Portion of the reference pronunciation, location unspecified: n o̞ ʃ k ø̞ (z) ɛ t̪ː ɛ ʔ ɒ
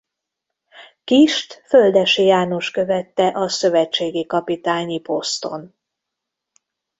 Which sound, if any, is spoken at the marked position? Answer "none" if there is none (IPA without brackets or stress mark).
v